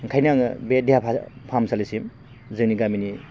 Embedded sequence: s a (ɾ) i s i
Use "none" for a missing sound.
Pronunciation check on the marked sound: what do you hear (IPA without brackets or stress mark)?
l